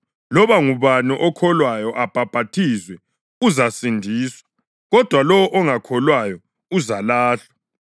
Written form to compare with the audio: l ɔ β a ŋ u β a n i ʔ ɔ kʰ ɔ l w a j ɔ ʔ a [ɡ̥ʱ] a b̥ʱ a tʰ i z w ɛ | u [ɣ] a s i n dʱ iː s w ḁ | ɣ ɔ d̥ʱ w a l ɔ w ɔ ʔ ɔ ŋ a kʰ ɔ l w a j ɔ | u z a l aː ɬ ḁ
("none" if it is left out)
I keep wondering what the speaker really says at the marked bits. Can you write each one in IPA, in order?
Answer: b̥ʱ, z

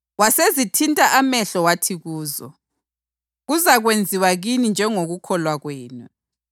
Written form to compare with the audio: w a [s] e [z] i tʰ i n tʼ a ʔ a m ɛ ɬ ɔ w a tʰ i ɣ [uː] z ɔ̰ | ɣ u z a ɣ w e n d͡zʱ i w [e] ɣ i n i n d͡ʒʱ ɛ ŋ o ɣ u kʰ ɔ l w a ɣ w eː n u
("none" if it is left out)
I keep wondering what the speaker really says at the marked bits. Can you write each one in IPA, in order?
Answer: s, z, uː, a

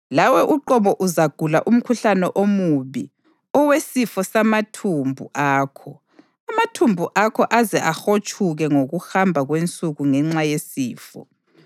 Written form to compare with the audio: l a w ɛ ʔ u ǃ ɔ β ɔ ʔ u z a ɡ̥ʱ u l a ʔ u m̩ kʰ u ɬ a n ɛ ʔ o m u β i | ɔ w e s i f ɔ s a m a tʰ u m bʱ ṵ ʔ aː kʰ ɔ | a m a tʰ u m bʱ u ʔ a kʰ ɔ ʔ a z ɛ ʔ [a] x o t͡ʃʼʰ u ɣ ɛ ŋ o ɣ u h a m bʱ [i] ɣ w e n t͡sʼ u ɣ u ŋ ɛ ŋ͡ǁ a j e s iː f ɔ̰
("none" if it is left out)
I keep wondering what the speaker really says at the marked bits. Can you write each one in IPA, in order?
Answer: a, a

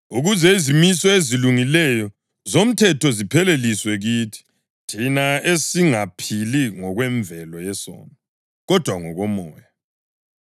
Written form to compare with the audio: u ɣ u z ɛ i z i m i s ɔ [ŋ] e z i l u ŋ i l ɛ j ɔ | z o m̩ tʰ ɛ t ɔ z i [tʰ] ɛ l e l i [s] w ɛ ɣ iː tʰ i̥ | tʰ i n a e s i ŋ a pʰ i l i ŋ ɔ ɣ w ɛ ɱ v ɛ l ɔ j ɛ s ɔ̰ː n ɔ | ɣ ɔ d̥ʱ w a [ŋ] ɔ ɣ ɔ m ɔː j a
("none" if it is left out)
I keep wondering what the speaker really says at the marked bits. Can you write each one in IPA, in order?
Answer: none, pʰ, s, ŋ

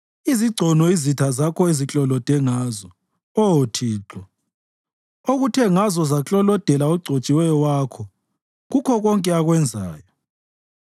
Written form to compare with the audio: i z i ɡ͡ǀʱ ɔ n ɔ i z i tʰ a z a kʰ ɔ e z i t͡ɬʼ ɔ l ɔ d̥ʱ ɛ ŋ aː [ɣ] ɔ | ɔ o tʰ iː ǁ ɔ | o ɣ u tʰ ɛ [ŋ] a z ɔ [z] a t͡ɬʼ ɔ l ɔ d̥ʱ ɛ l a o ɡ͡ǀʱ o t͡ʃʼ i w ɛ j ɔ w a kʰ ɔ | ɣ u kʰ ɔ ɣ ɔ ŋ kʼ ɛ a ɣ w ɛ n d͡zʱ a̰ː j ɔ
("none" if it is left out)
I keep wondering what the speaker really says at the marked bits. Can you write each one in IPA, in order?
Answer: z, ŋ, z

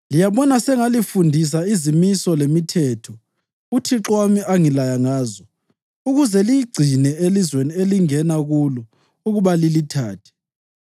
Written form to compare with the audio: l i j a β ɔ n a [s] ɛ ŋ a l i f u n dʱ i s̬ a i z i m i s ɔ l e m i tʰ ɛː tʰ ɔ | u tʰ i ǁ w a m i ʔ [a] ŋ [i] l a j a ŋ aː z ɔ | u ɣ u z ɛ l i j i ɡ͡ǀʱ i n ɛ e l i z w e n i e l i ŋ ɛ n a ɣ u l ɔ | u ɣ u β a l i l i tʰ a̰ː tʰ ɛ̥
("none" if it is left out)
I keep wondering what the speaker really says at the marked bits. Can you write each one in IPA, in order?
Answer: s, a, i

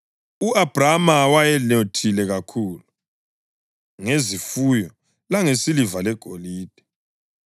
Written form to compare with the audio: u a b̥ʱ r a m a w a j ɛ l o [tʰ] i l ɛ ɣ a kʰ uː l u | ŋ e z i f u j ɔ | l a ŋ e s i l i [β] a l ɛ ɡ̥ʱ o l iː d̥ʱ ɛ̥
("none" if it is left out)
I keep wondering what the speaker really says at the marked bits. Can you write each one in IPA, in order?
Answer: tʰ, v

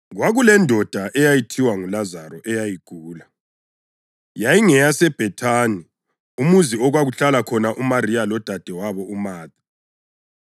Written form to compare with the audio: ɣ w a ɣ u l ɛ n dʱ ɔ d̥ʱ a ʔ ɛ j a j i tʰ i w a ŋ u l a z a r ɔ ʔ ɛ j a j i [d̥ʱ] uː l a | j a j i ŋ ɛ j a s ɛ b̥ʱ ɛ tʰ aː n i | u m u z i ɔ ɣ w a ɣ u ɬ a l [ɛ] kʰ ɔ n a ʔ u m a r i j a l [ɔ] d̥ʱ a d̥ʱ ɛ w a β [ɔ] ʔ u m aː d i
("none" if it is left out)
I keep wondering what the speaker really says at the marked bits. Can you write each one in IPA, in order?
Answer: ɡ̥ʱ, a, ɔ, ɔ

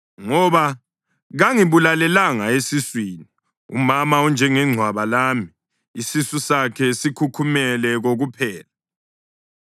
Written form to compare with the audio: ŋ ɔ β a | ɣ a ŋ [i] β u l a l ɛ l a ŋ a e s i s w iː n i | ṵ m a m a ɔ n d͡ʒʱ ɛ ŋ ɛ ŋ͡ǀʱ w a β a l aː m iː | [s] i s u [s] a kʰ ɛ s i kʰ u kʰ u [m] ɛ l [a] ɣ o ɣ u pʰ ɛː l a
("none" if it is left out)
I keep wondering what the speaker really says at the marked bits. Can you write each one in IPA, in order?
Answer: i, s, s, m, ɛ

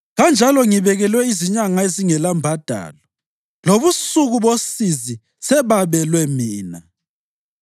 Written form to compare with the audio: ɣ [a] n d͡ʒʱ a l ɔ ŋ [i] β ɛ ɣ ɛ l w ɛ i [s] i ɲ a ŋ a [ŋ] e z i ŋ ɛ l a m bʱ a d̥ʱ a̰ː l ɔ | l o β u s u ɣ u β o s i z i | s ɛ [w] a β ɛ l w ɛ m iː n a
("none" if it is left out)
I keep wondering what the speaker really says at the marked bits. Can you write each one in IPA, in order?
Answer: a, i, z, none, β

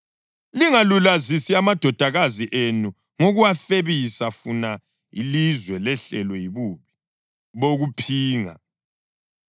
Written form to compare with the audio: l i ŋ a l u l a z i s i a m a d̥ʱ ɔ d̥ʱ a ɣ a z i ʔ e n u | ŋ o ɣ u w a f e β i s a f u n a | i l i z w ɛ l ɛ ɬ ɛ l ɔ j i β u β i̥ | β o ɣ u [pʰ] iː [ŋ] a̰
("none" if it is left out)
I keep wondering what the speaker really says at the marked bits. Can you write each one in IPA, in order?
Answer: pʰ, ŋ

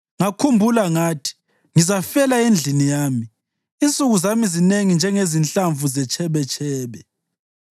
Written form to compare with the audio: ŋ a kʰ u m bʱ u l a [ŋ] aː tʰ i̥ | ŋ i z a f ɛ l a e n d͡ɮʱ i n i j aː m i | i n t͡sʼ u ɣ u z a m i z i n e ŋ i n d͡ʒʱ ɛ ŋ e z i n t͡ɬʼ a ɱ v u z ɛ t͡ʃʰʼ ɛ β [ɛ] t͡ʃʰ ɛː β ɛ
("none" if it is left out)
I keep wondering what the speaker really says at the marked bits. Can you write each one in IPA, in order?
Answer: ŋ, ɛ

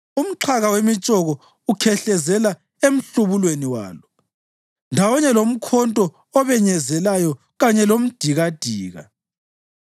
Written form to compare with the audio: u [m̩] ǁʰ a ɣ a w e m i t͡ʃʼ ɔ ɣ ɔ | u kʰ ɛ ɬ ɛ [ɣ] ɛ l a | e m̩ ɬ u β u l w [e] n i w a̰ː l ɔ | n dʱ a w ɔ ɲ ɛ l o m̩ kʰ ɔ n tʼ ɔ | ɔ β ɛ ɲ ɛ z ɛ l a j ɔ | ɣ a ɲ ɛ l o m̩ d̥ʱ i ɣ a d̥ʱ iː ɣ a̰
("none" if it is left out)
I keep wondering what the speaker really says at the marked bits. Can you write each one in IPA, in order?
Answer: m̩, z, e

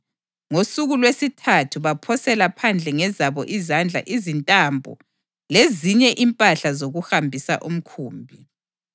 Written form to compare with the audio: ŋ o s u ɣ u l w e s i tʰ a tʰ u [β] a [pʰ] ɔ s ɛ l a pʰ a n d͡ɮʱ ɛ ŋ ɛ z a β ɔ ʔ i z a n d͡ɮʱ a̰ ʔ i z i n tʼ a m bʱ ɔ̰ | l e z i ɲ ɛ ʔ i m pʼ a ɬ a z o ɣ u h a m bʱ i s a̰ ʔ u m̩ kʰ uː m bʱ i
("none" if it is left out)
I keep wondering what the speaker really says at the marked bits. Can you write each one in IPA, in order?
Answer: β, pʰ

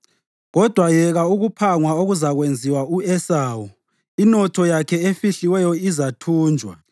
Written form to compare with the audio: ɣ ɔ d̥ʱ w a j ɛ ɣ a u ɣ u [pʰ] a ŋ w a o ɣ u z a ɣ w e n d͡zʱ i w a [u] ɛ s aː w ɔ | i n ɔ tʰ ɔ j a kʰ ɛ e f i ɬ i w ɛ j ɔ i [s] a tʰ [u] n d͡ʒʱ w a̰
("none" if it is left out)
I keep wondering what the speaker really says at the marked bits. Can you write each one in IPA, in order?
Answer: pʰ, u, z, uː

